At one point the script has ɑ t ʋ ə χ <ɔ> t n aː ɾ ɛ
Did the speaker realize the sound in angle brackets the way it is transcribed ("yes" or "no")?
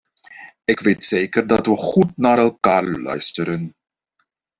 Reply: no